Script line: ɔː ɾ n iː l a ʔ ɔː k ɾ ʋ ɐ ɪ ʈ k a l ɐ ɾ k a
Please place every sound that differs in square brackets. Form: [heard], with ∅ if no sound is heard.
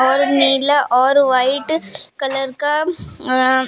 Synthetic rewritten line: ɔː ɾ n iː l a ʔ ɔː [∅] ɾ ʋ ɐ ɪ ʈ k [ɐ] l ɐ ɾ k a